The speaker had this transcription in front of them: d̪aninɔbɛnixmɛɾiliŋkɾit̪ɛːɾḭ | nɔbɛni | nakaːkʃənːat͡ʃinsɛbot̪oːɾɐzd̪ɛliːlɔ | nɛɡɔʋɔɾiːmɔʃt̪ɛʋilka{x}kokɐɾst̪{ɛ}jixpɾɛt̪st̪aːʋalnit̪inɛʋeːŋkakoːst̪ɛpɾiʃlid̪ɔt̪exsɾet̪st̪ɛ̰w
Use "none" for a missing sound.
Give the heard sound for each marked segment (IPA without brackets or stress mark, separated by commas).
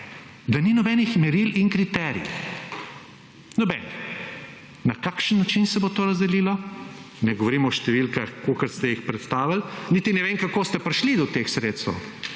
x, ɛ